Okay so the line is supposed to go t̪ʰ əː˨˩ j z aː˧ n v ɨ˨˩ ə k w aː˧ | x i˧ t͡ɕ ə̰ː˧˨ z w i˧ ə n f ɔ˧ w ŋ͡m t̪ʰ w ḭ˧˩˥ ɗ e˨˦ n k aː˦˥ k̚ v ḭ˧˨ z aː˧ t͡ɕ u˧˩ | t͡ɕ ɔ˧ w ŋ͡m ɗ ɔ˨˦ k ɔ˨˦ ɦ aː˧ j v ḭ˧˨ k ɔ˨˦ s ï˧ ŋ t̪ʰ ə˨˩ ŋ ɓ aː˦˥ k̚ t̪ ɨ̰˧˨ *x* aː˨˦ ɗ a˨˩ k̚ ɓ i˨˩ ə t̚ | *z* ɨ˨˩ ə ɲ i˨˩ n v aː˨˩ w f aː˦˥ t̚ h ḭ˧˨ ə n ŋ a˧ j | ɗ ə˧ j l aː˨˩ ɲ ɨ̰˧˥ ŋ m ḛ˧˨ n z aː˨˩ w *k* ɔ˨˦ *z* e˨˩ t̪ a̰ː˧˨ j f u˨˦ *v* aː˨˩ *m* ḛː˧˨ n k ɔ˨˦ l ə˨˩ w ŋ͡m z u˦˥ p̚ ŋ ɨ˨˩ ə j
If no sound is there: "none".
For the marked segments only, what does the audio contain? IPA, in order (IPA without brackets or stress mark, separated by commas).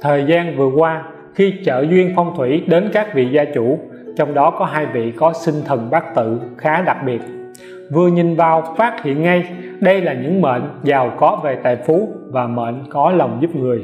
x, v, k, v, v, m